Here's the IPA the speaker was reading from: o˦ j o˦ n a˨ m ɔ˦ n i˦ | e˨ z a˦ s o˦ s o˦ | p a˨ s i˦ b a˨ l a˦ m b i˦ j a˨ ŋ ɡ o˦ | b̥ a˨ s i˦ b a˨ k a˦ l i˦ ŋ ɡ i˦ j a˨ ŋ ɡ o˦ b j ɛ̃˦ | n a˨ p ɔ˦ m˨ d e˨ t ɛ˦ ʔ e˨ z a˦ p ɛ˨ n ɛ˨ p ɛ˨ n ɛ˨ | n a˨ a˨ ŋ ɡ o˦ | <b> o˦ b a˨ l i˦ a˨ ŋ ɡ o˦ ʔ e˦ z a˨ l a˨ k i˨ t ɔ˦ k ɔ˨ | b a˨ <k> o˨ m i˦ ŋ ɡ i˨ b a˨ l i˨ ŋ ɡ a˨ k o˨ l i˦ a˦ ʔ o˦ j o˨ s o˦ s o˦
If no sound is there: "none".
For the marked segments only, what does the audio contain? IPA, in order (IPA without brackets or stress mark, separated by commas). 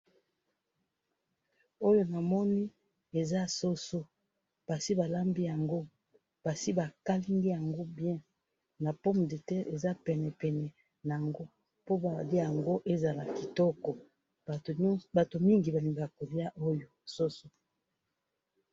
p, t